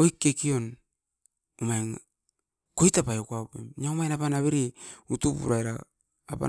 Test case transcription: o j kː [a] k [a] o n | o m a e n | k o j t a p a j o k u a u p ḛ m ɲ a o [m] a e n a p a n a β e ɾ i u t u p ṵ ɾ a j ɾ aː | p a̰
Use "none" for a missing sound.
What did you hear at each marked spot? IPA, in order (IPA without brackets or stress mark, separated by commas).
e, i, m